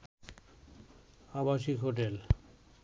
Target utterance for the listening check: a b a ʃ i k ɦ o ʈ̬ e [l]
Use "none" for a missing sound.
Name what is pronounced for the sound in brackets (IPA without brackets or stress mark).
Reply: l